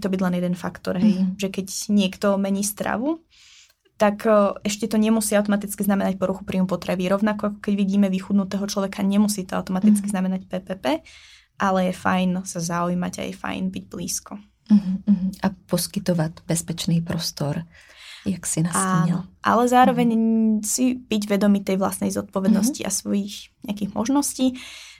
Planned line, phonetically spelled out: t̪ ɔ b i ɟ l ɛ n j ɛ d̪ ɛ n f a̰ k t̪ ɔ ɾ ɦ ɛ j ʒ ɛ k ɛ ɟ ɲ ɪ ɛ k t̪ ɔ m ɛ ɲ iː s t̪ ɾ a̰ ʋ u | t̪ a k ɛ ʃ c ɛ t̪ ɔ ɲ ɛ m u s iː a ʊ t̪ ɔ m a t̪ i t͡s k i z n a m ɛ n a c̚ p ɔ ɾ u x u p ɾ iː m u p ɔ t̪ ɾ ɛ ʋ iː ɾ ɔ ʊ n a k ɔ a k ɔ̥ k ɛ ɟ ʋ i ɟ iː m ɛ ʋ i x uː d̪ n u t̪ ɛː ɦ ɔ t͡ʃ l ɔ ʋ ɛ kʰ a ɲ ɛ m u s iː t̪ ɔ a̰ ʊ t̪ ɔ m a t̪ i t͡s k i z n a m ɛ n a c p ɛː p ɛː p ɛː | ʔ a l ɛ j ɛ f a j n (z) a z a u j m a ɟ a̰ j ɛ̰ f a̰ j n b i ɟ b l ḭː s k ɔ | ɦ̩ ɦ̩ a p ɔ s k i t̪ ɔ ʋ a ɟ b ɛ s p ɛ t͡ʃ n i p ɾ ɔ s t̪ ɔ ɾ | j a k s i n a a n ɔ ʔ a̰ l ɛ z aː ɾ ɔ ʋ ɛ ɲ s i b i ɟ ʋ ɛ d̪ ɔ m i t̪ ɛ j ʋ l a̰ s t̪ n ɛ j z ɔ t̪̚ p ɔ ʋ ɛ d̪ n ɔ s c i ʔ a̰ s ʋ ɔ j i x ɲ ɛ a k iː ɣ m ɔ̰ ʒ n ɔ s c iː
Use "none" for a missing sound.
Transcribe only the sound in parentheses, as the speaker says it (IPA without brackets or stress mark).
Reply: s